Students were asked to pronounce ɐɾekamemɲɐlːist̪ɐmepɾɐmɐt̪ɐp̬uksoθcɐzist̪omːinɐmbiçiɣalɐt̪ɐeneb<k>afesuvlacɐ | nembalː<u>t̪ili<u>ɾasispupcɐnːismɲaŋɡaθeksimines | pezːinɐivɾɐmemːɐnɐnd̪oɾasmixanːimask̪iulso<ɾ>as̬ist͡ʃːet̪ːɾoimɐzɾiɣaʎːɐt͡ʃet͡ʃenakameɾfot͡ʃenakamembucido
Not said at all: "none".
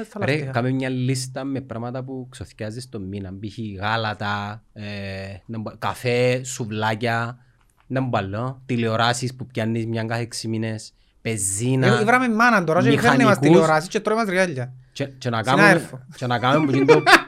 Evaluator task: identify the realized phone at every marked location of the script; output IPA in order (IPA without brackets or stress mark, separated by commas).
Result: k, o, o, ɾ